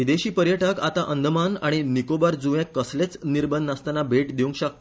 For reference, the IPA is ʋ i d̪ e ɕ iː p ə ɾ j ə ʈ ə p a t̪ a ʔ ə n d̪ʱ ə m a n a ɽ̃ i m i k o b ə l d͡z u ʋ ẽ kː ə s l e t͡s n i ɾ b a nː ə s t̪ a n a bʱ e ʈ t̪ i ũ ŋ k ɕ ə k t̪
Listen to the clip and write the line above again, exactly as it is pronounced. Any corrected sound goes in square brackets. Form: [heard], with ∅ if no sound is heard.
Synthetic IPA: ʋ i d̪ e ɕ iː p ə ɾ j ə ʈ ə [k] a t̪ a ʔ ə n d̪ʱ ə m a n a ɽ̃ i [n] i k o b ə [ɾ] d͡z u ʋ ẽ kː ə s l e t͡s n i ɾ b [ə] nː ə s t̪ a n a bʱ e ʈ [d̪] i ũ ŋ k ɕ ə k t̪